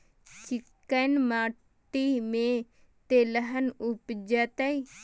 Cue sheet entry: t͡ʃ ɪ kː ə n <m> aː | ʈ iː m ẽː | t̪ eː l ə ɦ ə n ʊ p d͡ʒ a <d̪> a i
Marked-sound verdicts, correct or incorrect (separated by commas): correct, incorrect